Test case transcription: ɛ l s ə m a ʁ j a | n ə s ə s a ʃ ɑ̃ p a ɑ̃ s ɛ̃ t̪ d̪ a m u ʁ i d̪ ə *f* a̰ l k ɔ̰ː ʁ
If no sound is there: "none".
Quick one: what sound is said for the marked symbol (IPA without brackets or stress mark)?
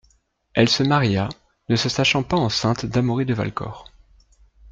v